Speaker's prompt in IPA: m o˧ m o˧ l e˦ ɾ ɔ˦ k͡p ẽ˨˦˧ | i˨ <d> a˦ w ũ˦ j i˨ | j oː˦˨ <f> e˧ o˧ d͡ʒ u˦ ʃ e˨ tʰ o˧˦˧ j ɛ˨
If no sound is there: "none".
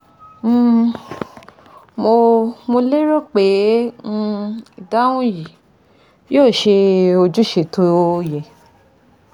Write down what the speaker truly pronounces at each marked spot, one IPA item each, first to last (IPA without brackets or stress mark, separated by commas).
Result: d, ʃ